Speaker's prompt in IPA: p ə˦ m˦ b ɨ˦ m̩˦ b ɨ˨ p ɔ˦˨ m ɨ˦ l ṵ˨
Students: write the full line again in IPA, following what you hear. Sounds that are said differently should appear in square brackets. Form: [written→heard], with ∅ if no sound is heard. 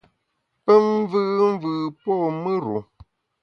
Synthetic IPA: p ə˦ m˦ [b→v] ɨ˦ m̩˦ [b→v] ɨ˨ p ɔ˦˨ m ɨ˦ [l→ɾ] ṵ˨

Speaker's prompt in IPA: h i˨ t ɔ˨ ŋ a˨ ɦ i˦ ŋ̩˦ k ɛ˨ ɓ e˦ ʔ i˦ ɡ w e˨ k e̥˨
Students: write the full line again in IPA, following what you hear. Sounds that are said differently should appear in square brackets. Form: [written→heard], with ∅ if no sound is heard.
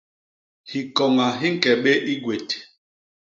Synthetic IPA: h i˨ [t→k] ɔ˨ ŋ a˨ ɦ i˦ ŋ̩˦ k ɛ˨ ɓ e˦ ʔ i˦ ɡ w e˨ [k→t] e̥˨

